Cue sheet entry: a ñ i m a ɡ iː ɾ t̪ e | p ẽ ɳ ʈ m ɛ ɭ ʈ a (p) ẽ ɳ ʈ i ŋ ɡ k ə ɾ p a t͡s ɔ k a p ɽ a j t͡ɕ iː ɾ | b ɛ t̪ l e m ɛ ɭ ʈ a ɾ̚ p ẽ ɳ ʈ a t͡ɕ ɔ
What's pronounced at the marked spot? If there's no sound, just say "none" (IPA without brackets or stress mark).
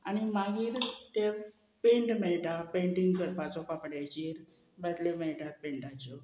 p